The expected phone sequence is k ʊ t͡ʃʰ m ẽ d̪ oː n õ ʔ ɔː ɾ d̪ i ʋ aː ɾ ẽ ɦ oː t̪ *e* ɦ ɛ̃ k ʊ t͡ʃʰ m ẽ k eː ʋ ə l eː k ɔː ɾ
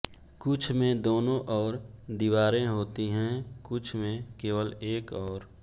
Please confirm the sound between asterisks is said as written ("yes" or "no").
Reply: no